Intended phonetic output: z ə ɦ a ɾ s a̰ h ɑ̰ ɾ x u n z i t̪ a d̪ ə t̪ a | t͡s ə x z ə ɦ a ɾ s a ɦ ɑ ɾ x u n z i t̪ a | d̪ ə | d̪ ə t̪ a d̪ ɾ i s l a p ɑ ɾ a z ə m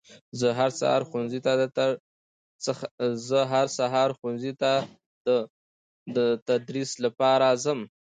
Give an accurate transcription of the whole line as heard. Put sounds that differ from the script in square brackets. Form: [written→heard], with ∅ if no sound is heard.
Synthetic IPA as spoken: z ə ɦ a ɾ s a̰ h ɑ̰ ɾ x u n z i t̪ a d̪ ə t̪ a | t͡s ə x z ə ɦ a ɾ s a ɦ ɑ ɾ x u n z i t̪ a | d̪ ə | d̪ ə t̪ a d̪ ɾ i s l a p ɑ ɾ a z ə m

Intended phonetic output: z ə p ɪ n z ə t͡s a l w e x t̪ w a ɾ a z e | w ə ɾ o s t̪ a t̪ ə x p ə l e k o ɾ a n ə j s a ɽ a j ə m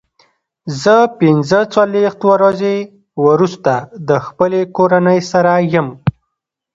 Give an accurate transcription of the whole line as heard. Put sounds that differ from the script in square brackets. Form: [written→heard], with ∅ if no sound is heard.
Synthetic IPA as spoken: z ə p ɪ n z ə t͡s a l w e x t̪ w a ɾ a z e | w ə ɾ [o→u] s t̪ a [t̪→d̪] ə x p ə l e k o ɾ a n ə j s a [ɽ→ɾ] a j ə m

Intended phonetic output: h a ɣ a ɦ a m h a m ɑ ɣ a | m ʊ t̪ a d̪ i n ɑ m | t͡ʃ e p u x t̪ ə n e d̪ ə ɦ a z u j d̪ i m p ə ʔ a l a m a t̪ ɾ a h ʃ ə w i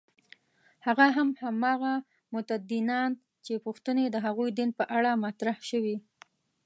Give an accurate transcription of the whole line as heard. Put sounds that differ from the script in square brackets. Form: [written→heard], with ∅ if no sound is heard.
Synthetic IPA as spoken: h a ɣ a ɦ a m h a m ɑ ɣ a | m ʊ t̪ a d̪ i n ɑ [m→n] | t͡ʃ e p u x t̪ ə n e d̪ ə ɦ a [z→ɣ] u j d̪ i [m→n] p ə ʔ a [l→ɽ] a m a t̪ ɾ a h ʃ ə w i

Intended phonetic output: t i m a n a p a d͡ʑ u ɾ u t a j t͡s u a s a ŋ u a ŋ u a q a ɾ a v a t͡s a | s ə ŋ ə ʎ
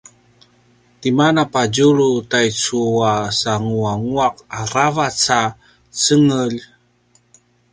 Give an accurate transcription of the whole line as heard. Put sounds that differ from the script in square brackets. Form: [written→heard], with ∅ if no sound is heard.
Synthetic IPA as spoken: t i m a n a p a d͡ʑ u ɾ u t a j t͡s u a s a ŋ u a ŋ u a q a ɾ a v a t͡s a | [s→t͡s] ə ŋ ə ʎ

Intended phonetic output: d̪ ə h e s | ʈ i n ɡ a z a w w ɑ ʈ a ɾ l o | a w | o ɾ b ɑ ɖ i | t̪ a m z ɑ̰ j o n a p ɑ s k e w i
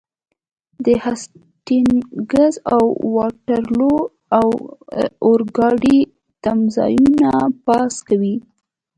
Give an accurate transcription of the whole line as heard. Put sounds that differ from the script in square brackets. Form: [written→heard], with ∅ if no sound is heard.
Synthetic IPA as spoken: d̪ ə h [e→a] s | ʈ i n ɡ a z a w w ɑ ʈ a ɾ l o | a w | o ɾ [b→ɡ] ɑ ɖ i | t̪ a m z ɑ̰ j [o→u] n a p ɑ s k [e→a] w i

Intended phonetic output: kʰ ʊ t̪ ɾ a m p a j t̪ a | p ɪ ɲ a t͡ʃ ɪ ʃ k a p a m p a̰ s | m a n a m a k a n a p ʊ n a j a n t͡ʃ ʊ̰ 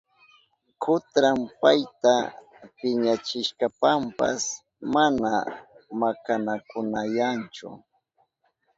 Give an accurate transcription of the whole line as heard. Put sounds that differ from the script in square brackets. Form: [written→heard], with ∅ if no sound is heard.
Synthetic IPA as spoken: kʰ ʊ t̪ ɾ a m p a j t̪ a | p ɪ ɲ a t͡ʃ ɪ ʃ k a p a m p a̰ s | m a n a m a k a n a [p→k] ʊ n a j a n t͡ʃ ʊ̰

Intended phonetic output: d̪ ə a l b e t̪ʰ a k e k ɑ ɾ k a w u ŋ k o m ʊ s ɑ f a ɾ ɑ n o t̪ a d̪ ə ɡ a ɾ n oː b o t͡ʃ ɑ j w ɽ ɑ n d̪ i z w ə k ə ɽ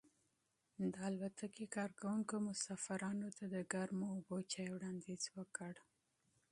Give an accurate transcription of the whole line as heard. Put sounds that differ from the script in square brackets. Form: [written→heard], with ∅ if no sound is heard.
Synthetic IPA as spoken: d̪ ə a l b [e→a] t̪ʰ a k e k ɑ ɾ k a w u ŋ k o m ʊ s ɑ f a ɾ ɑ n o t̪ a d̪ ə ɡ a ɾ [n→m] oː b o t͡ʃ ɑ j w ɽ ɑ n d̪ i z w ə k ə ɽ

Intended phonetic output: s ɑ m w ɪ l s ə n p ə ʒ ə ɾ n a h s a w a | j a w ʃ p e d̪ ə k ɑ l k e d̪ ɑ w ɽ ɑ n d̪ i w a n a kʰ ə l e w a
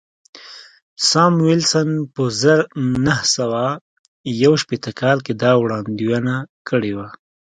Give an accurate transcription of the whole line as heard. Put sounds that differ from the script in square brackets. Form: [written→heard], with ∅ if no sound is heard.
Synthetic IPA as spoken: s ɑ m w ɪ l s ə n p ə [ʒ→z] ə ɾ n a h s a w a | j a w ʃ p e [d̪→t̪] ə k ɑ l k e d̪ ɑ w ɽ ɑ n d̪ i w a n a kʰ ə [l→ɽ] e w a

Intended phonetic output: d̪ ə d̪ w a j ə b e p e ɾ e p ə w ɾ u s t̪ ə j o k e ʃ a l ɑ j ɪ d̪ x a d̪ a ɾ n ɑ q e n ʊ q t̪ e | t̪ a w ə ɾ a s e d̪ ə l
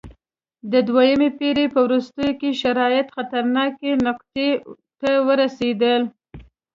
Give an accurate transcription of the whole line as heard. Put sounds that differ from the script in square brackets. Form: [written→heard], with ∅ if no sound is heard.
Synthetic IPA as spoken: d̪ ə d̪ w a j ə [b→m] e p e ɾ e p ə w ɾ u s t̪ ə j o k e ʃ a [l→ɾ] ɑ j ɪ [d̪→t̪] x a [d̪→t̪] a ɾ n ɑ [q→k] e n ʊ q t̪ e | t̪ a w ə ɾ a s e d̪ ə l

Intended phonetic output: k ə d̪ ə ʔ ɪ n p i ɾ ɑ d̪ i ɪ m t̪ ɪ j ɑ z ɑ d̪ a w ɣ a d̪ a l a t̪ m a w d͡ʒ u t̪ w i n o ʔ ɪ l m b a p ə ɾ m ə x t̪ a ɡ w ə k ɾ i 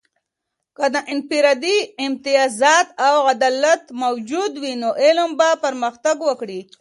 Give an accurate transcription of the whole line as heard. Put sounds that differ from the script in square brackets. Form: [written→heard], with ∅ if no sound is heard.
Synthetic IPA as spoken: k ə d̪ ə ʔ ɪ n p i ɾ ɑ d̪ i ɪ m t̪ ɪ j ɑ z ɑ [d̪→t̪] a w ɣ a d̪ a l a t̪ m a w d͡ʒ u [t̪→d̪] w i n o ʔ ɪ l m b a p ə ɾ m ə x t̪ a ɡ w ə k [ɾ→ɽ] i

